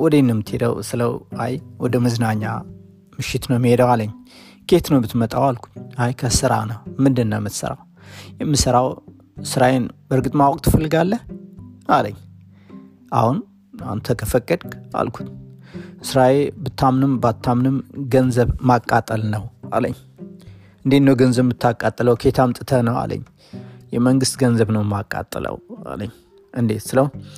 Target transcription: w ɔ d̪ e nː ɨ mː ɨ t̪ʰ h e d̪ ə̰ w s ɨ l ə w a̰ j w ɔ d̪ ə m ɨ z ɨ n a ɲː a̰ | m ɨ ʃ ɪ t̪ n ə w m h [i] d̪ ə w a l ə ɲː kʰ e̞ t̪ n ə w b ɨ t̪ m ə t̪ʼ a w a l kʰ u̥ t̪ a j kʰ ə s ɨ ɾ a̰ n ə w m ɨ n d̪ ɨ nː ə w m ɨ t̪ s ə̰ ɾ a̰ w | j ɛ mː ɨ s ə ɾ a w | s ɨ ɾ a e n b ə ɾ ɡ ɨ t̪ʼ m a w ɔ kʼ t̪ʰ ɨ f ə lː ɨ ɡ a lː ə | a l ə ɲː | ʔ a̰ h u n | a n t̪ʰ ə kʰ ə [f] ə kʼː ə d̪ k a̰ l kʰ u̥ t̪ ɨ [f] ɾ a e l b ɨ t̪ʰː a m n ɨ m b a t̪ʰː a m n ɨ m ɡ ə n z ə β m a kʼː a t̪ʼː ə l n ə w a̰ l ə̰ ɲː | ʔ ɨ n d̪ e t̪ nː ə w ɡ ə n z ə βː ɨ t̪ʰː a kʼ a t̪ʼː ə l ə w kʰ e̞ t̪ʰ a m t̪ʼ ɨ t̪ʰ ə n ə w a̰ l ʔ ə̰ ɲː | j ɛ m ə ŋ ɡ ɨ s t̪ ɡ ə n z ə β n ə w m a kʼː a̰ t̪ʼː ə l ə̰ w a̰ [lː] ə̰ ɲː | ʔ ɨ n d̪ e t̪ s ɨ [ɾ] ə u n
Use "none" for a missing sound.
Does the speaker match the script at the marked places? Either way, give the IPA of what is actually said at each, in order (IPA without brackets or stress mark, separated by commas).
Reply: e, f, s, l, l